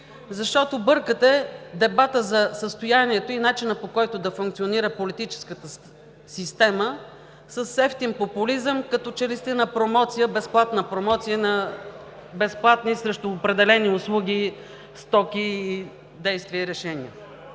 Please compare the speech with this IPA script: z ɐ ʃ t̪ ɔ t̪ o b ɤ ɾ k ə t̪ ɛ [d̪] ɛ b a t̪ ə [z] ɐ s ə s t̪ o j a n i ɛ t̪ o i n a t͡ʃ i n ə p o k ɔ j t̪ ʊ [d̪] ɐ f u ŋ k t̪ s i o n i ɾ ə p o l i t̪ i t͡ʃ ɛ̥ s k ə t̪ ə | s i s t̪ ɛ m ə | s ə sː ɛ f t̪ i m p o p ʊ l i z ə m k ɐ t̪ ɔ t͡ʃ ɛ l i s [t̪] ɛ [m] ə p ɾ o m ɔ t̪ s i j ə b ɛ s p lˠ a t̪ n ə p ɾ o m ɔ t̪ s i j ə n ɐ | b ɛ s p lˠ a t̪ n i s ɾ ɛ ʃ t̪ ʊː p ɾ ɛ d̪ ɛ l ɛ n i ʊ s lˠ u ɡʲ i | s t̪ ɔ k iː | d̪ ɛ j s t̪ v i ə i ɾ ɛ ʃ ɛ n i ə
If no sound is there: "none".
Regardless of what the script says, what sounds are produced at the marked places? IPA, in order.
d̪, z, d̪, t̪, n

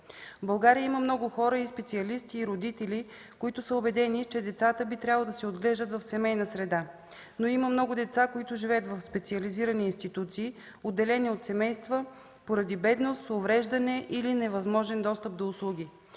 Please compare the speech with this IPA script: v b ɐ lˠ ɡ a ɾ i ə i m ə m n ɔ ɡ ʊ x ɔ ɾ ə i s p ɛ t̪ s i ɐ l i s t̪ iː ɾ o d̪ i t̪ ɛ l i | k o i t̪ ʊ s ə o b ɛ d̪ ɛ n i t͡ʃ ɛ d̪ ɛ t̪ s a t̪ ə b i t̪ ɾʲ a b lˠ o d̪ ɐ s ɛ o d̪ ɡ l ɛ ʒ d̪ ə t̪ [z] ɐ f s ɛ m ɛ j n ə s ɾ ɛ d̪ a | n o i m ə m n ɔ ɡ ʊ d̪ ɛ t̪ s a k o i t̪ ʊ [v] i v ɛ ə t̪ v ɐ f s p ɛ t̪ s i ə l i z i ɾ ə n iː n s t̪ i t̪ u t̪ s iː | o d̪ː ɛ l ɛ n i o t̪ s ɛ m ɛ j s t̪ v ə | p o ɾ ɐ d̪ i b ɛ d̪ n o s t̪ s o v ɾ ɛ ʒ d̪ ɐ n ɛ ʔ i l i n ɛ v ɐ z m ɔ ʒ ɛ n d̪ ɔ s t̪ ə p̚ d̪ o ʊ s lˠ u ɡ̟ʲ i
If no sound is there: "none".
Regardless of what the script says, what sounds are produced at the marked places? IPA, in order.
v, ʒ

